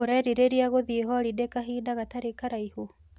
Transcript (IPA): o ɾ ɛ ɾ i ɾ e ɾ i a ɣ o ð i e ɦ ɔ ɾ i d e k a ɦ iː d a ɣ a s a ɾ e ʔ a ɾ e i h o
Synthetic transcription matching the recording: o ɾ ɛ ɾ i ɾ e ɾ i a ɣ o ð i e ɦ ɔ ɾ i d e k a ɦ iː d a ɣ a t a ɾ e k a ɾ a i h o